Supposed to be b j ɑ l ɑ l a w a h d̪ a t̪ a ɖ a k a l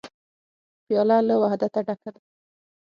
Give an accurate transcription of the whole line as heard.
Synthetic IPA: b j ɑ l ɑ l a w a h d̪ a t̪ a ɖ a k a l

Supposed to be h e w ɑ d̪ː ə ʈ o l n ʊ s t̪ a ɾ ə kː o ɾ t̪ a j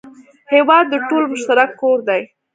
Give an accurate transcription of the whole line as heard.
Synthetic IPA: h e w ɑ d̪ː ə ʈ o l m ʊ ʃ t̪ a ɾ a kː o ɾ d̪ a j

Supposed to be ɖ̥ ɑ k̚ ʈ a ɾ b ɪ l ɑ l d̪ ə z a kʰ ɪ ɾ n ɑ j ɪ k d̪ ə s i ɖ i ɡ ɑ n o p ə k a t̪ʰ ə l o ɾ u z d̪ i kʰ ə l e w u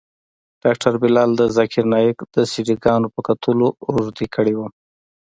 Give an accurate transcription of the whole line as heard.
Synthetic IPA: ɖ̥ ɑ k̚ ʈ a ɾ b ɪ l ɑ l d̪ ə z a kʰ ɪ ɾ n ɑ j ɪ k d̪ ə s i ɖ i ɡ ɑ n o p ə k a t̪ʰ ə l o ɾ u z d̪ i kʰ ə ɽ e w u

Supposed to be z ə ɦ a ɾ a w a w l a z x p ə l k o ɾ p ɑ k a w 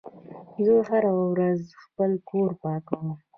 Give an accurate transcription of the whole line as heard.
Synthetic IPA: z ə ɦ a ɾ a w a w ɾ a z x p ə l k o ɾ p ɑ k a w

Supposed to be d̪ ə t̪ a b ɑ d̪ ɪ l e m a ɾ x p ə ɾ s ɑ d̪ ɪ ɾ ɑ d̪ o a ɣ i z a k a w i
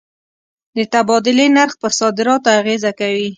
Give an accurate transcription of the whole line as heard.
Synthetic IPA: d̪ ə t̪ a b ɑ d̪ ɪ l e n a ɾ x p ə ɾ s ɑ d̪ ɪ ɾ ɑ t̪ o a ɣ e z a k a w i

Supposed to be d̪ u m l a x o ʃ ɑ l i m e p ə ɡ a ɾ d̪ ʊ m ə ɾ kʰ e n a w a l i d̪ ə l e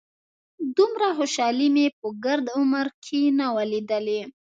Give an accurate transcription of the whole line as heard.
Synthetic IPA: d̪ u m ɾ a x o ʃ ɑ l i m e p ə ɡ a ɾ d̪ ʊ m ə ɾ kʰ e n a w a l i d̪ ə l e

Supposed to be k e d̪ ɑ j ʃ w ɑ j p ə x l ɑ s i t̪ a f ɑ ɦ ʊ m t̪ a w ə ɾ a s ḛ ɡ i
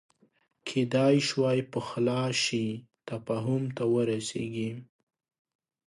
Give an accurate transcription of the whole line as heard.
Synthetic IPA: kʰ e d̪ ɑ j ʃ w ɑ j p ə x l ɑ ʃ i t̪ a f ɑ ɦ ʊ m t̪ a w ə ɾ a s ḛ ɡ i

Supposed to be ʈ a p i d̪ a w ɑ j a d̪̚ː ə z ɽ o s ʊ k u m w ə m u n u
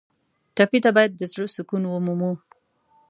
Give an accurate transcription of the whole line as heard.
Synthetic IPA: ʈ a p i t̪ a b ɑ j a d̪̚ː ə z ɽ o s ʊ k u n w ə m u m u

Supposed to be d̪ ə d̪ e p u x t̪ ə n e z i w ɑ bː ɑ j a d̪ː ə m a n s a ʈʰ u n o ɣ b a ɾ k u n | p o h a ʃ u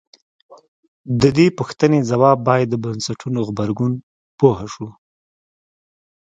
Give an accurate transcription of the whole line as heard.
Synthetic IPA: d̪ ə d̪ e p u x t̪ ə n e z a w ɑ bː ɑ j a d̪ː ə b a n s a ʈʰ u n o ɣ b a ɾ ɡ u n | p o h a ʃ u

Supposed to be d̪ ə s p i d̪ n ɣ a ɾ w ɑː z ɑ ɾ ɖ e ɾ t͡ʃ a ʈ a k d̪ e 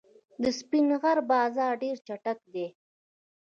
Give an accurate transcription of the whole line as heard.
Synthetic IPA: d̪ ə s p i n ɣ a ɾ b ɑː z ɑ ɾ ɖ e ɾ t͡ʃ a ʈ a k d̪ e

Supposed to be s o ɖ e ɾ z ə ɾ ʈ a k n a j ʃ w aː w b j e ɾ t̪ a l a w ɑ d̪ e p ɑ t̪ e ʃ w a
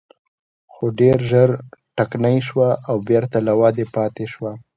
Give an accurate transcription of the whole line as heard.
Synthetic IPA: x o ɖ e ɾ ʒ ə ɾ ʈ a k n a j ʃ w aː w b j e ɾ t̪ a l a w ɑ d̪ e p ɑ t̪ e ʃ w a

